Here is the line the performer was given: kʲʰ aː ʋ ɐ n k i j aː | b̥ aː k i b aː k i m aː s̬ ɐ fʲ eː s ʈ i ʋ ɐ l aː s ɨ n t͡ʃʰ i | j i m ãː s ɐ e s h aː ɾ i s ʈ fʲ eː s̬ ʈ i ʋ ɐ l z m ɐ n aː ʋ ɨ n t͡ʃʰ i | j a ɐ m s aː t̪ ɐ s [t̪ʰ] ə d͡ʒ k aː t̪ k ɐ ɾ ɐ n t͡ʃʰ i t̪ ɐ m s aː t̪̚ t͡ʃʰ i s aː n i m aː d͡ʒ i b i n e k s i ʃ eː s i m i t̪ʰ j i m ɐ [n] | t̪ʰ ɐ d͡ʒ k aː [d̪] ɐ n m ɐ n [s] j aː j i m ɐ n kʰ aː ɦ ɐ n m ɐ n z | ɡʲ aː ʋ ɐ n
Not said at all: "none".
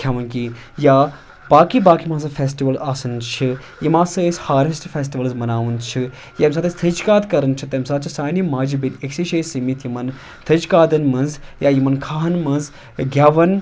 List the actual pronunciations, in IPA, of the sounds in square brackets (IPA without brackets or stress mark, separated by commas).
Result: t̪ʰ, n, d̪, z